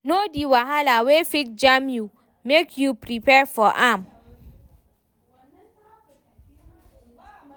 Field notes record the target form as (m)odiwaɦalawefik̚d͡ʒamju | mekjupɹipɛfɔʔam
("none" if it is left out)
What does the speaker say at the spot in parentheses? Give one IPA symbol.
n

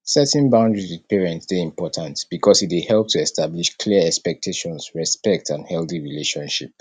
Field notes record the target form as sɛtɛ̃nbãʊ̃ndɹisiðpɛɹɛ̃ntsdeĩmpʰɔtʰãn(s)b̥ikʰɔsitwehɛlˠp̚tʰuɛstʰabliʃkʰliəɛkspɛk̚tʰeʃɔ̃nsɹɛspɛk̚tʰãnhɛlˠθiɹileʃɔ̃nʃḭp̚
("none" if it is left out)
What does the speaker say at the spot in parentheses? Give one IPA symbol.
t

